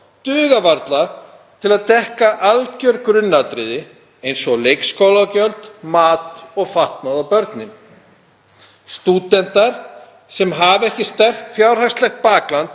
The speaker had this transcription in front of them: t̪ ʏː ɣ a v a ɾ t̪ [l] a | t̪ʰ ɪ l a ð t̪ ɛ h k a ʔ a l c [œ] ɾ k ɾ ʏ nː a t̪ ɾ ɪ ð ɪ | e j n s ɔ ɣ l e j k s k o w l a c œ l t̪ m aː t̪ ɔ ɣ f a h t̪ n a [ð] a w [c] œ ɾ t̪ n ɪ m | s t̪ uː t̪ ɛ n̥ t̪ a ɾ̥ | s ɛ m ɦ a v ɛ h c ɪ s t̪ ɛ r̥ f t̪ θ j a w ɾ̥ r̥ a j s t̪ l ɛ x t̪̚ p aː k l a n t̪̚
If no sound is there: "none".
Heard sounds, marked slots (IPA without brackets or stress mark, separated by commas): l, œ, ð, p